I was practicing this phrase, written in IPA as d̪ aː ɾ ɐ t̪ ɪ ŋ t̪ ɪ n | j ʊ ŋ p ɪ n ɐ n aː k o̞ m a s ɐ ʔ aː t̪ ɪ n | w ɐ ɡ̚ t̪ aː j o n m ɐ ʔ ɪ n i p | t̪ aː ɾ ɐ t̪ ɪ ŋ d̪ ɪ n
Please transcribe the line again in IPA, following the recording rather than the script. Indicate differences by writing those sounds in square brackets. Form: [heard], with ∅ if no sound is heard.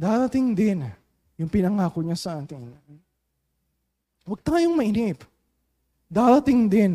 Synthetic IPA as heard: d̪ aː ɾ ɐ t̪ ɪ ŋ [d̪] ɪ n | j ʊ ŋ p ɪ n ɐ [ŋ] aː k o̞ [ɲ] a s ɐ ʔ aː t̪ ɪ n | w ɐ ɡ̚ t̪ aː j o [ŋ] m ɐ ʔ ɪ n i p | [d̪] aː ɾ ɐ t̪ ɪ ŋ d̪ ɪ n